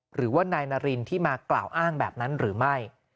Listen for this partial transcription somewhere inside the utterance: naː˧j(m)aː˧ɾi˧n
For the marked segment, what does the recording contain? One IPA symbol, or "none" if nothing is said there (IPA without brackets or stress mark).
n